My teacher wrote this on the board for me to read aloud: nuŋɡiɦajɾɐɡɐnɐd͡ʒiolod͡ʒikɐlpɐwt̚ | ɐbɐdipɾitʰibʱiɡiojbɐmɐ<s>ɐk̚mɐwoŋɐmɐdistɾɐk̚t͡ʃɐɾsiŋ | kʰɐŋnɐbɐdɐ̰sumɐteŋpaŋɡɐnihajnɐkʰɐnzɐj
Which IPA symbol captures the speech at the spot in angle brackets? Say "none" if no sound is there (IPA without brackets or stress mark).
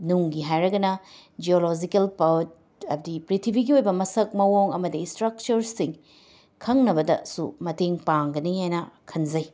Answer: s